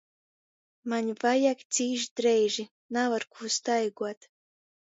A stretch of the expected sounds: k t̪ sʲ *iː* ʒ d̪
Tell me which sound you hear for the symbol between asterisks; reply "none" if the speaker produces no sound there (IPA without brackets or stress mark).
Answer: iː